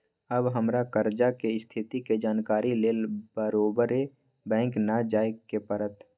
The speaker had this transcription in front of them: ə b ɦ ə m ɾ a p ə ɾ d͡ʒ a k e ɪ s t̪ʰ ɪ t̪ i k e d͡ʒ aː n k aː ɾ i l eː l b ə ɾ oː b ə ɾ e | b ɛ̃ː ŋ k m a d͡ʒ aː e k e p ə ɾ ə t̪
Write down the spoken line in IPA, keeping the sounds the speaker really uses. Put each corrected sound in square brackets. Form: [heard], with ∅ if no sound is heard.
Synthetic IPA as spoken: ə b ɦ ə m ɾ a [k] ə ɾ d͡ʒ a k e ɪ s t̪ʰ ɪ t̪ i k e d͡ʒ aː n k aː ɾ i l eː l b ə ɾ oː b ə ɾ e | b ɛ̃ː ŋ k [n] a d͡ʒ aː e k e p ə ɾ ə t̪